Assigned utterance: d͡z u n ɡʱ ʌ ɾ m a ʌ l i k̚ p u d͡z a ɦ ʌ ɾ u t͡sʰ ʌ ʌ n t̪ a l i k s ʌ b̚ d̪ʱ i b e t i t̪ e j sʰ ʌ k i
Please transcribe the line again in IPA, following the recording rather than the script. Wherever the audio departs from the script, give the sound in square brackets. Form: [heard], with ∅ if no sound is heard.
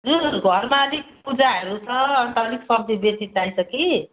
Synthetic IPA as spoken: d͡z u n ɡʱ ʌ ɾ m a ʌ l i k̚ p u d͡z a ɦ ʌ ɾ u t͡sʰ ʌ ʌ n t̪ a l i k s ʌ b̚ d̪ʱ i b e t i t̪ [a] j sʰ ʌ k i